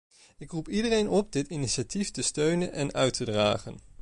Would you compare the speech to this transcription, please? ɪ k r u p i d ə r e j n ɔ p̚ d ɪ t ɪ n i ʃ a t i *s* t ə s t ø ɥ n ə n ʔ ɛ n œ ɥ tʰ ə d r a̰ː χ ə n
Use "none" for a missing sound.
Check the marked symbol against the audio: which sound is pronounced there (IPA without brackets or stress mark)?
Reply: f